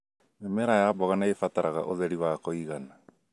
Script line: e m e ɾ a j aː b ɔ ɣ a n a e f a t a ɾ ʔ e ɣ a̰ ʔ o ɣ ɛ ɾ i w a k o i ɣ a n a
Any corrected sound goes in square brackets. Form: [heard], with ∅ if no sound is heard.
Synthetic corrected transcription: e m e ɾ a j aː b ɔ ɣ a n a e f a t a ɾ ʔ [a] ɣ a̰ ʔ o [ð] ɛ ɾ i w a k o i ɣ a n a